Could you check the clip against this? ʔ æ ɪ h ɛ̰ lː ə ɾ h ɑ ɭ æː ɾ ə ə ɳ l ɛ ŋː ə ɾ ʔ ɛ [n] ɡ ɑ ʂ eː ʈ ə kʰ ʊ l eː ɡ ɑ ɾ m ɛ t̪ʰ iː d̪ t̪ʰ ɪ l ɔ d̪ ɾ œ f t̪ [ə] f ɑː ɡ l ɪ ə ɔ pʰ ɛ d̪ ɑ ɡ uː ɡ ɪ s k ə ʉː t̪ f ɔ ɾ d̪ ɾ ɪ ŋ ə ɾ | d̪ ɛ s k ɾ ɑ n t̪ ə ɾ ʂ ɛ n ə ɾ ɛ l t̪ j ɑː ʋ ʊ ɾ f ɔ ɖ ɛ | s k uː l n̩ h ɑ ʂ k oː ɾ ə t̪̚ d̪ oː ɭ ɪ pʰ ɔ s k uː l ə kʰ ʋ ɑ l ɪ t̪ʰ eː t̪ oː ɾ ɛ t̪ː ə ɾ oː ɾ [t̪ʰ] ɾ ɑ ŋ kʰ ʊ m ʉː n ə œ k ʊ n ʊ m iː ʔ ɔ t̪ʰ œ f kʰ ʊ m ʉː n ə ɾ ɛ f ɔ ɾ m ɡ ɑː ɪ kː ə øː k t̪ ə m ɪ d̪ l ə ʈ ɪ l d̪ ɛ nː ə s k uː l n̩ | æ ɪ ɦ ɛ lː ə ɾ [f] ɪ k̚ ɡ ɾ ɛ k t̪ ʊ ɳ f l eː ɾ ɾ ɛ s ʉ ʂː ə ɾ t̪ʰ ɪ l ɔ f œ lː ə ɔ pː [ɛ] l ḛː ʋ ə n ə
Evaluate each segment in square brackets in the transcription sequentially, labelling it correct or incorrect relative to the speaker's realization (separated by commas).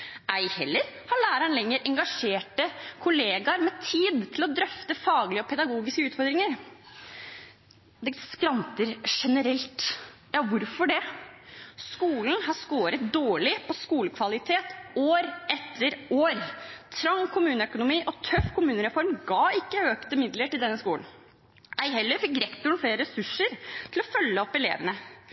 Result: incorrect, correct, correct, correct, correct